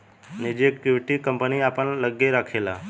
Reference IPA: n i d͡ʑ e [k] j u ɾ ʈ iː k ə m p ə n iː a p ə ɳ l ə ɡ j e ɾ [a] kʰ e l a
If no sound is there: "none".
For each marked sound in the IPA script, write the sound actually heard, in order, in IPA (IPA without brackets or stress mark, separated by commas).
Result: k, a